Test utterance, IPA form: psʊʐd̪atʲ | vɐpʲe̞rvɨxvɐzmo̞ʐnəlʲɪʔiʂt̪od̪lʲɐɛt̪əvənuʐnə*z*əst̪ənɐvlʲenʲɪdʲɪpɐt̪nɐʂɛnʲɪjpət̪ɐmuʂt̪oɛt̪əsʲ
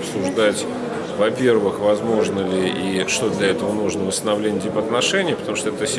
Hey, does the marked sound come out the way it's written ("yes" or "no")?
no